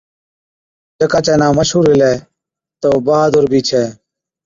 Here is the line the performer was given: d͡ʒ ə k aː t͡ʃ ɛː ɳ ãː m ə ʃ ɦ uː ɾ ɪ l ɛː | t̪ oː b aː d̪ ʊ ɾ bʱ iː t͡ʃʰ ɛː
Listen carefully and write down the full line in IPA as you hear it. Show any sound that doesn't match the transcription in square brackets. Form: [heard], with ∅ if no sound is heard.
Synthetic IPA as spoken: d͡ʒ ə k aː t͡ʃ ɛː [n] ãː m ə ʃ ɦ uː ɾ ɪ l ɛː | t̪ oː b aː d̪ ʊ ɾ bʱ iː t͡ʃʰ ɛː